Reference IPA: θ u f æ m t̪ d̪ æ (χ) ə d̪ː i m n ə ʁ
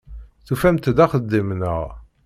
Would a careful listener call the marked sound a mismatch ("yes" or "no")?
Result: no